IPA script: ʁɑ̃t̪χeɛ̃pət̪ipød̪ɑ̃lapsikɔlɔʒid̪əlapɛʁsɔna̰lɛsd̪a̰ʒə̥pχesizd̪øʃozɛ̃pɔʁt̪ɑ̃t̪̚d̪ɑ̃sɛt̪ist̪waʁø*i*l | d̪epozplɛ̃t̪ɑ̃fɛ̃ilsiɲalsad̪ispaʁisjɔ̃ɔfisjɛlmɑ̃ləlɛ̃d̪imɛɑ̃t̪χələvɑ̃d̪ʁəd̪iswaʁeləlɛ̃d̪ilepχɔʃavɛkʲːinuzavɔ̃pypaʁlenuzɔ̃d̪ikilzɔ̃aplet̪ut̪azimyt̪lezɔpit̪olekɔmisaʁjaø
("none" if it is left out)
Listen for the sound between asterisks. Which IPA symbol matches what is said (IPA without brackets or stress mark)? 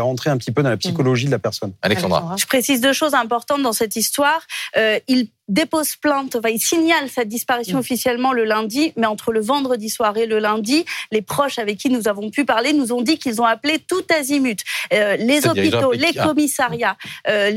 i